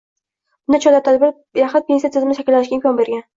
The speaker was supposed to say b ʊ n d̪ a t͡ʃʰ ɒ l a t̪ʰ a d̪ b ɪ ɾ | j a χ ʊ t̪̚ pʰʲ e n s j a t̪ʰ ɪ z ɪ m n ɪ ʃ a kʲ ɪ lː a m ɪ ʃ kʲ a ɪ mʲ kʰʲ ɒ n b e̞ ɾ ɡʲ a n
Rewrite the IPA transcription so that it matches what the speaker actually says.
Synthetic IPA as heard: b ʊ n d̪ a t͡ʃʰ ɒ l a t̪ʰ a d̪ b ɪ ɾ | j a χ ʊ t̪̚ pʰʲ e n s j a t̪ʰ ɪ z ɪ m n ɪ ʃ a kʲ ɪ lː a n ɪ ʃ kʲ a ɪ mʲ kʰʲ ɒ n b e̞ ɾ ɡʲ a n